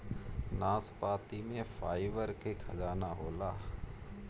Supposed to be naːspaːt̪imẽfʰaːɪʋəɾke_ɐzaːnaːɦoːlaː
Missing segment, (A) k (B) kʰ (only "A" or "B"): B